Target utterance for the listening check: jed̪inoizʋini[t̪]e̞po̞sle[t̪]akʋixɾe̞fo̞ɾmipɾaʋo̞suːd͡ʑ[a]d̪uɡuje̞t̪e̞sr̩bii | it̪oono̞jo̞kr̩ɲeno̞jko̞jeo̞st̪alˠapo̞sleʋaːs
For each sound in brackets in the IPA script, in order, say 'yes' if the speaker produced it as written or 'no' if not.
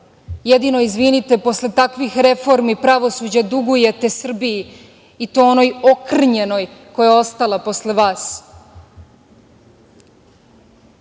yes, yes, yes

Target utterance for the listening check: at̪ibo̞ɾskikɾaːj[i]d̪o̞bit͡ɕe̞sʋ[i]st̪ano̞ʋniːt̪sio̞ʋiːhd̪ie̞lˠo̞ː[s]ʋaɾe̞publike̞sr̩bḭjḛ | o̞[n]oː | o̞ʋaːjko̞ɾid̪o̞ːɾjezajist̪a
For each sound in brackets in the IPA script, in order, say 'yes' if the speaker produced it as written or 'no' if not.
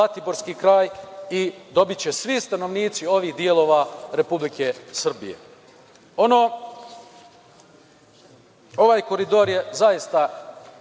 yes, yes, no, yes

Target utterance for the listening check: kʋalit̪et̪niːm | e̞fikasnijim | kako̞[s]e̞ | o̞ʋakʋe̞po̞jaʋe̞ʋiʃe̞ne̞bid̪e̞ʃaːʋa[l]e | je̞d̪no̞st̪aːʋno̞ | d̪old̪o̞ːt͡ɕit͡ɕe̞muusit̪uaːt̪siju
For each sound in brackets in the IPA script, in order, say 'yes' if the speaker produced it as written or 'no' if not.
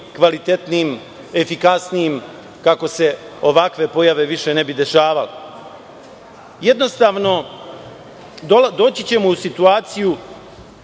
yes, yes

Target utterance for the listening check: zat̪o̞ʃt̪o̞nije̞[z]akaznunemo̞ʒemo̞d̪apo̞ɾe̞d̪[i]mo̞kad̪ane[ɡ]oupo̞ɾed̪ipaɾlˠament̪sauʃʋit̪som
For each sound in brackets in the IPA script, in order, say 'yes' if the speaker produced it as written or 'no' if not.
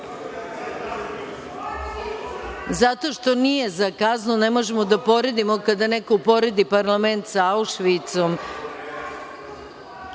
yes, yes, no

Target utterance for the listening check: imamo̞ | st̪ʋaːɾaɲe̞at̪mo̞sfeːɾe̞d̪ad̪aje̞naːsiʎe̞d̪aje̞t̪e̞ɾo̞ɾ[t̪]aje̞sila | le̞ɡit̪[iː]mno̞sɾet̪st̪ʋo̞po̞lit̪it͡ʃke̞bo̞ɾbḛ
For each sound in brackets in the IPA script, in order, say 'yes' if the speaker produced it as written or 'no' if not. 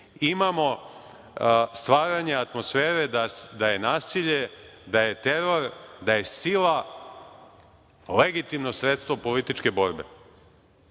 no, no

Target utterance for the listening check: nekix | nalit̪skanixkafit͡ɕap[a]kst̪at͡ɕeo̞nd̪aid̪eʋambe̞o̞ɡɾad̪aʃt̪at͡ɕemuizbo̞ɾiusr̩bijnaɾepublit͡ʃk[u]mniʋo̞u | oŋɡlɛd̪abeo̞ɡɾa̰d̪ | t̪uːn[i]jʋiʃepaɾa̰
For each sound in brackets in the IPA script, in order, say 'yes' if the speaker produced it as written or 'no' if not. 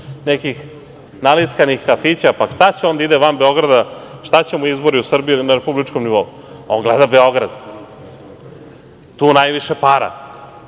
yes, no, no

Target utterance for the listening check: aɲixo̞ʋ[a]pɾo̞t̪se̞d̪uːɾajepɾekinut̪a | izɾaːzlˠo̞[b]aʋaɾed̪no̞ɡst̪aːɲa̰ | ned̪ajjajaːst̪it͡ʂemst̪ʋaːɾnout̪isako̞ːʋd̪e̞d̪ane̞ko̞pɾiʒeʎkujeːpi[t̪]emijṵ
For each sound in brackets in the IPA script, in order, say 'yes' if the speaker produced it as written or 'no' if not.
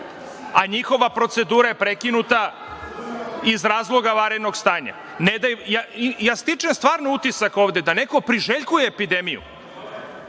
yes, no, no

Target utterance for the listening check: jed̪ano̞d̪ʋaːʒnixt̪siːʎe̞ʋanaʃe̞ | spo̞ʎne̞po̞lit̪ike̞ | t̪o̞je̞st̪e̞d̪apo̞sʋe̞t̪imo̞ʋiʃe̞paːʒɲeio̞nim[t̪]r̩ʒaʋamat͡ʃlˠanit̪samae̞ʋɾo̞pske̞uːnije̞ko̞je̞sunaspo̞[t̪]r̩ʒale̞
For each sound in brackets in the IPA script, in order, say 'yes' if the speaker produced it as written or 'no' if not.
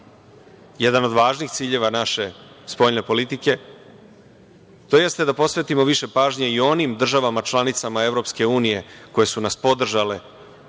no, no

